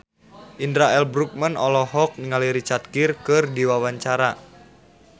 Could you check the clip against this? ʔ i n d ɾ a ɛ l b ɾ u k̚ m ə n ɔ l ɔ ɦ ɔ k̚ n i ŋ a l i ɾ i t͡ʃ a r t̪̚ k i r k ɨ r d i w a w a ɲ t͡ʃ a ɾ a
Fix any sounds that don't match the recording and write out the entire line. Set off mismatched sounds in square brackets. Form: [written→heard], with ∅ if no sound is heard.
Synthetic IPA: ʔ i n d ɾ a ɛ l b ɾ u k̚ m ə n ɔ l ɔ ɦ ɔ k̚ n i ŋ a l i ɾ i t͡ʃ a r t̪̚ k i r k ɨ r d i w a w a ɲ t͡ʃ a ɾ a

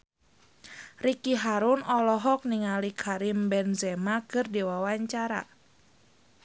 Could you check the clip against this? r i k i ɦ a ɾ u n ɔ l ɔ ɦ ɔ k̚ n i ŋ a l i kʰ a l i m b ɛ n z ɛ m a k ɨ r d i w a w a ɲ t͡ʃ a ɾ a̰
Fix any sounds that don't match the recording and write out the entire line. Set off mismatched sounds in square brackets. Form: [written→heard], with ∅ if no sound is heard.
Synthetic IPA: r i k i ɦ a ɾ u n ɔ l ɔ ɦ ɔ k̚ n i ŋ a l i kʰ a [l→ɾ] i m b ɛ n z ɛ m a k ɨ r d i w a w a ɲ t͡ʃ a ɾ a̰

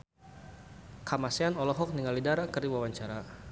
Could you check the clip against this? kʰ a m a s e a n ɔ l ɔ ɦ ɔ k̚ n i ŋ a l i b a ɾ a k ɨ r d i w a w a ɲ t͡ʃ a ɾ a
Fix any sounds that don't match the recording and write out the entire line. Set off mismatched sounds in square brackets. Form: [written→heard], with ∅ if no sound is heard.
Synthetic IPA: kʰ a m a s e a n ɔ l ɔ ɦ ɔ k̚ n i ŋ a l i [b→d] a ɾ a k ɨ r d i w a w a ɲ t͡ʃ a ɾ a

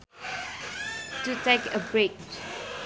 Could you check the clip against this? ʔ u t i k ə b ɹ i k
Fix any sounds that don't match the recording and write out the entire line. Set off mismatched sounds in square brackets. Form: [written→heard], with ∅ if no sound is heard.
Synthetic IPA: [ʔ→t] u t [i→e] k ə b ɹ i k

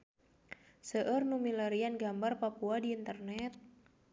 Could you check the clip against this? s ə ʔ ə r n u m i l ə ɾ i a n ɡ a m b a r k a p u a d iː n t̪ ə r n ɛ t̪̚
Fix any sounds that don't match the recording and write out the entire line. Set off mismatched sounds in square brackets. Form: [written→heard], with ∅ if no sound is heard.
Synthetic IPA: s ə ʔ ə r n u m i l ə ɾ i a n ɡ a m b a r [k→p] a p u a d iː n t̪ ə r n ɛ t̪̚

